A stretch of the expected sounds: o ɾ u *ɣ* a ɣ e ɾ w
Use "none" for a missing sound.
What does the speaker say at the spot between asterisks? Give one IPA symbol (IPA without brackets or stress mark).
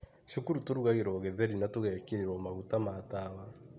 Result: ɣ